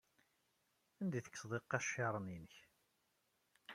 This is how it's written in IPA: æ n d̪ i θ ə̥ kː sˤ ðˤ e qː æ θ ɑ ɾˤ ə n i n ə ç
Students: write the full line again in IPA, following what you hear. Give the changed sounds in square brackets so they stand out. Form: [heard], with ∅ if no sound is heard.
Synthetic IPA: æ n d̪ i θ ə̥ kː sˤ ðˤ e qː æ [ʃ] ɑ ɾˤ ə n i n ə ç